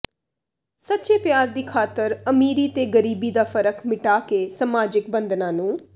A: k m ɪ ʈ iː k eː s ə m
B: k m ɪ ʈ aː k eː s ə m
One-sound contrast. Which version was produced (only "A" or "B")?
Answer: B